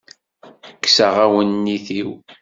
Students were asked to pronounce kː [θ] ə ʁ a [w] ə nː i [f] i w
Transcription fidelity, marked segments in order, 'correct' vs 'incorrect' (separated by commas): incorrect, correct, incorrect